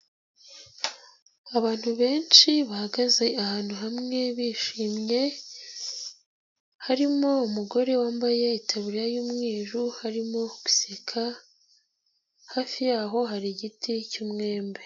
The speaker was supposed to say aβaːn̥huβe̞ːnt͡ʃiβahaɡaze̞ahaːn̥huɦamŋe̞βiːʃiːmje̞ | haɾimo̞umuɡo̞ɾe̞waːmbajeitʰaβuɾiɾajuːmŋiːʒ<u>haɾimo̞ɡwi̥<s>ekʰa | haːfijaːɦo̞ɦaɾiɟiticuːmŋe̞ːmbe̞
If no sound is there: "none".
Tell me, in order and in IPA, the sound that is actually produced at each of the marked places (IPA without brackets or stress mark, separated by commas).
u, s